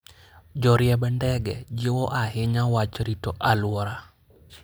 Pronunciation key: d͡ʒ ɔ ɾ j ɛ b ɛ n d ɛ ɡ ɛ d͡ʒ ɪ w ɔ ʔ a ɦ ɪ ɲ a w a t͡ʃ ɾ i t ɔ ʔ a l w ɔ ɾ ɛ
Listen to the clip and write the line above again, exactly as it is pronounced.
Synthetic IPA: d͡ʒ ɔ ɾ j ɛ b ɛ n d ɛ ɡ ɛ d͡ʒ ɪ w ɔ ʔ a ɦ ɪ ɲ a w a t͡ʃ ɾ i t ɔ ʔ a l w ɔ ɾ a

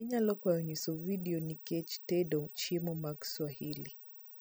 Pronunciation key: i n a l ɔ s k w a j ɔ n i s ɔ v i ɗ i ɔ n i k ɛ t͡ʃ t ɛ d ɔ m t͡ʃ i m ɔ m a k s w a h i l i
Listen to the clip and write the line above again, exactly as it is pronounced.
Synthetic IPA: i ɲ a l ɔ k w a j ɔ ɲ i s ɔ v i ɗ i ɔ n i k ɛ t͡ʃ t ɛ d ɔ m t͡ʃ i m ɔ m a k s w a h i l i

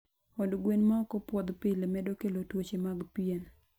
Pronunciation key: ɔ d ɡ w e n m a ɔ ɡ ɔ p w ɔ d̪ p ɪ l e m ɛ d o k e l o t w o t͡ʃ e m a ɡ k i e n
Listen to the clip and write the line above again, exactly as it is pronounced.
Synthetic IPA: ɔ d ɡ w e n m a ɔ k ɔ p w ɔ d̪ p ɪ l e m ɛ d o k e l o t w o t͡ʃ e m a ɡ p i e n

